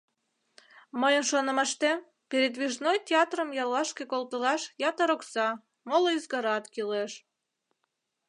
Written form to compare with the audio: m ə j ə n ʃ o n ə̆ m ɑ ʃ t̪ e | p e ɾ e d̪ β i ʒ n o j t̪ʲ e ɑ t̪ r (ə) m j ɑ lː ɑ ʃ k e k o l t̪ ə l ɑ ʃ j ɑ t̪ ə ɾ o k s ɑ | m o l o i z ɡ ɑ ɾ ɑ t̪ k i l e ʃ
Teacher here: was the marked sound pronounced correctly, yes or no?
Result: yes